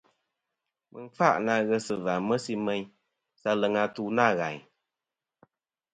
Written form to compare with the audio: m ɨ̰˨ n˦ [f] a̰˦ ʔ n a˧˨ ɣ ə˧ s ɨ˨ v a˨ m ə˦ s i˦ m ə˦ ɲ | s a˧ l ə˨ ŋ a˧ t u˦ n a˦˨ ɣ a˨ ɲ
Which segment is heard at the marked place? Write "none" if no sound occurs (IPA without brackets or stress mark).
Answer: f